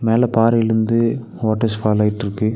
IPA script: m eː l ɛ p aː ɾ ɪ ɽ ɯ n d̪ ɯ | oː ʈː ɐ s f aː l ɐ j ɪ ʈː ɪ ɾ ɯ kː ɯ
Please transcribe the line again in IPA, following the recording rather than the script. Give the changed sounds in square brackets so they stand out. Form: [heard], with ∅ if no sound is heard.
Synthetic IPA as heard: m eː l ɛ p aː ɾ ɪ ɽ ɯ n d̪ ɯ | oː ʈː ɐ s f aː l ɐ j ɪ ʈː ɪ ɾ ɯ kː ɯ